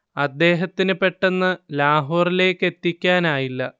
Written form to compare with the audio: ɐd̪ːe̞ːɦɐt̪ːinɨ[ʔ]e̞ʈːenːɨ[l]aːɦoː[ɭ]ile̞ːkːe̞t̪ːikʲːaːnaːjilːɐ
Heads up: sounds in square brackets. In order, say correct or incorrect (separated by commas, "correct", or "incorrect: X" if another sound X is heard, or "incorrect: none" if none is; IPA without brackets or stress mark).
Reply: incorrect: p, correct, incorrect: r